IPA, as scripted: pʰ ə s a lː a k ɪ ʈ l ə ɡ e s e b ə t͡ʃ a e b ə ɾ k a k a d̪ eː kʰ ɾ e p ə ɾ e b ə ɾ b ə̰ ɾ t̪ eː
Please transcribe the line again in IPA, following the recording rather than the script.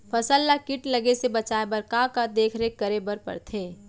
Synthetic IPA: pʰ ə s ə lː a k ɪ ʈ l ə ɡ e s e b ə t͡ʃ a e b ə ɾ k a k a d̪ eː kʰ ɾ e k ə ɾ e b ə ɾ p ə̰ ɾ t̪ʰ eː

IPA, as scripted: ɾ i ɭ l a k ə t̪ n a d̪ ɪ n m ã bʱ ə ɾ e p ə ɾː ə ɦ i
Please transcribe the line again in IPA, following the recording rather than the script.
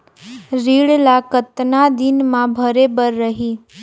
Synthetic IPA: ɾ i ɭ l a k ə t̪ n a d̪ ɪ n m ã bʱ ə ɾ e b ə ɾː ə ɦ i

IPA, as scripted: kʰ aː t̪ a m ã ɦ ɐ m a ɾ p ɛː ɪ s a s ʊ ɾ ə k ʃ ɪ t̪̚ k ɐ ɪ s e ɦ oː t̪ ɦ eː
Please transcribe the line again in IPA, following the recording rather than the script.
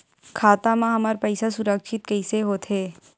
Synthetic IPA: kʰ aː t̪ a m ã ɦ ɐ m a ɾ p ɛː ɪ s a s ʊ ɾ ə k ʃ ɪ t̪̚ k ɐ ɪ s e ɦ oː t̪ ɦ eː

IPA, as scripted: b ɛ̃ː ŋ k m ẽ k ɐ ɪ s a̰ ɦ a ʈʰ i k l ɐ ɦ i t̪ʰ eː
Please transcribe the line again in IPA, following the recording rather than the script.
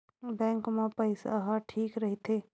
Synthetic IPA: b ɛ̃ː ŋ k m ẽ p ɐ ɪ s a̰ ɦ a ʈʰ iː k ɾ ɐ ɦ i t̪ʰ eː

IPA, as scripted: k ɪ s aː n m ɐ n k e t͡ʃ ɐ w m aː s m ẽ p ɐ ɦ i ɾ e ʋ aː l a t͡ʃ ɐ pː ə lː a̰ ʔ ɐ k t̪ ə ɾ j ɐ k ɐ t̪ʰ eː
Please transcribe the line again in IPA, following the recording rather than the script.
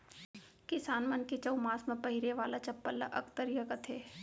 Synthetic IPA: k ɪ s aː n m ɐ n k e t͡ʃ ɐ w m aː s m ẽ p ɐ ɦ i ɾ e ʋ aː l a t͡ʃ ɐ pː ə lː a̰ ʔ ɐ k t̪ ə ɾ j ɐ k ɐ t̪ʰ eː

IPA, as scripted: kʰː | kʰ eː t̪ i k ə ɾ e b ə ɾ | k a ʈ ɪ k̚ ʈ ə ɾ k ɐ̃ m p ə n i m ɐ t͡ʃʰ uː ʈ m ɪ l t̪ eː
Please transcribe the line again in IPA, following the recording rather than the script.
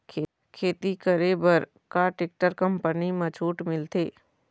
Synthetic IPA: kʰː | kʰ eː t̪ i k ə ɾ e b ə ɾ | k a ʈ ɪ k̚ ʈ ə ɾ k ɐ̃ m p ə n i m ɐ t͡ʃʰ uː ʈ m ɪ l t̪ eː

